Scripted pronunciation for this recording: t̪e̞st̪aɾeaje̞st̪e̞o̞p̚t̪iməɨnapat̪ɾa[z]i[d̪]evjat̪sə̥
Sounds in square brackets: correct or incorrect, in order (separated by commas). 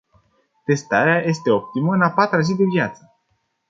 correct, correct